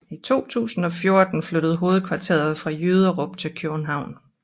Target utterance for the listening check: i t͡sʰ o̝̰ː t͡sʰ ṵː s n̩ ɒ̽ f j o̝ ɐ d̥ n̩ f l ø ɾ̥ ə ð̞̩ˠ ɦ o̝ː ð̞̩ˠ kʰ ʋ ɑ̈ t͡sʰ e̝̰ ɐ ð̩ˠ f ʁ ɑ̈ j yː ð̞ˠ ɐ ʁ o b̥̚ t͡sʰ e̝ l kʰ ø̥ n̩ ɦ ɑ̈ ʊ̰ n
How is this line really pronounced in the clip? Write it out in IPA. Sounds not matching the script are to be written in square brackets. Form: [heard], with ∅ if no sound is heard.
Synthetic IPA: i t͡sʰ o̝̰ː t͡sʰ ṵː s n̩ ɒ̽ f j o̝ ɐ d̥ n̩ f l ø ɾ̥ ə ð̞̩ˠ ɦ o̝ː ð̞̩ˠ kʰ ʋ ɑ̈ t͡sʰ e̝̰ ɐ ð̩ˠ f ʁ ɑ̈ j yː ð̞ˠ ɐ ʁ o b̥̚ t͡sʰ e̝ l kʰ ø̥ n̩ ɦ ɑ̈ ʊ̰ n